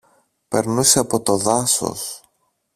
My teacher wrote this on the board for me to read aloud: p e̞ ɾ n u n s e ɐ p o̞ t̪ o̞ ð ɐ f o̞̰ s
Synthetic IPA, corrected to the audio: p e̞ ɾ n u s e ɐ p o̞ t̪ o̞ ð ɐ s o̞̰ s